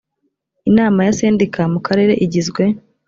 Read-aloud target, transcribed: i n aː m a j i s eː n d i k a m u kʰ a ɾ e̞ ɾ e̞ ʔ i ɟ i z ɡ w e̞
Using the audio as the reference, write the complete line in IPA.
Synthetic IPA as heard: i n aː m a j a s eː n d i k a m u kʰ a ɾ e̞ ɾ e̞ ʔ i ɟ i z ɡ w e̞